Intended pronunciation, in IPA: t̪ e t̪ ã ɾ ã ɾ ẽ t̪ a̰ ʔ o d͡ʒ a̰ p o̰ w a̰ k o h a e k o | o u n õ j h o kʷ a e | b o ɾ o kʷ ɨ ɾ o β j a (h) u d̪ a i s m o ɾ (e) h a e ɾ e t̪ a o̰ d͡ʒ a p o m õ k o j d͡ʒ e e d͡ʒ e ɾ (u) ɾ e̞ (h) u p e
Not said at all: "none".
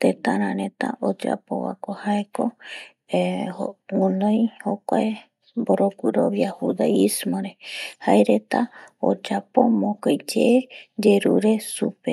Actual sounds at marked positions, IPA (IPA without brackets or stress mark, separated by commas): h, e, u, s